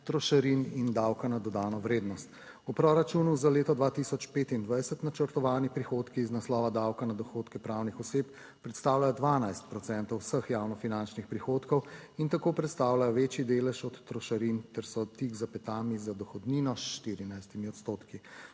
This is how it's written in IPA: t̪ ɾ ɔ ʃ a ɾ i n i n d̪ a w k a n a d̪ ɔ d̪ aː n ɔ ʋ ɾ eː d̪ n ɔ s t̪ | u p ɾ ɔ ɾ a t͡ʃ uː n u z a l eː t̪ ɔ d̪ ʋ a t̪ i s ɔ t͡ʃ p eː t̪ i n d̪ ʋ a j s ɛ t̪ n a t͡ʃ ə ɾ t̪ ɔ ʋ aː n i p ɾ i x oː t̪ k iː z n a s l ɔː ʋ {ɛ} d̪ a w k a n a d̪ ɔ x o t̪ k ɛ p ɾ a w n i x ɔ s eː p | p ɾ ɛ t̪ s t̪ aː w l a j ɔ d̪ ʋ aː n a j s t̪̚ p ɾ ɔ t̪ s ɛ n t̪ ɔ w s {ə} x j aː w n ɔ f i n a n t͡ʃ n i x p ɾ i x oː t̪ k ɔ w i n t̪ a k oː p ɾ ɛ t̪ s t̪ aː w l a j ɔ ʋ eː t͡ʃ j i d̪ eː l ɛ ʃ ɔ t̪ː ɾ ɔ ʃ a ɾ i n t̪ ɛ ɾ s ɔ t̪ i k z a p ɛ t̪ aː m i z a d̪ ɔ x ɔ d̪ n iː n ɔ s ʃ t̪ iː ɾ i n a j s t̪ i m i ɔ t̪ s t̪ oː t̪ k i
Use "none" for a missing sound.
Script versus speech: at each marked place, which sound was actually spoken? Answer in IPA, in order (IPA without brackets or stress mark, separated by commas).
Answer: a, ə